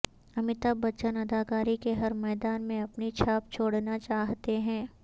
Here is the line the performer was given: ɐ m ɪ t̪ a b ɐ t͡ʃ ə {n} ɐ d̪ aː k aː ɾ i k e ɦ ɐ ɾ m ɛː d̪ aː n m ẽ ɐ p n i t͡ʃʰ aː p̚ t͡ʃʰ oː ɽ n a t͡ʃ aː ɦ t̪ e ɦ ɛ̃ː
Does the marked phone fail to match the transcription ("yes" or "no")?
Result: no